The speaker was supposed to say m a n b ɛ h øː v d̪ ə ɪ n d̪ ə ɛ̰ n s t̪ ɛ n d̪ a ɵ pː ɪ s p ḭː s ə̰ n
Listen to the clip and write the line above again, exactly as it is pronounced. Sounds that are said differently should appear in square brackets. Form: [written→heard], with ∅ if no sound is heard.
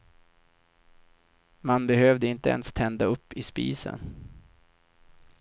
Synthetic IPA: m a n b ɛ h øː v d̪ ə ɪ n [d̪→t̪] ə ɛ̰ n s [t̪→t̪ʰ] ɛ n d̪ a ɵ pː ɪ s p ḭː s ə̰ n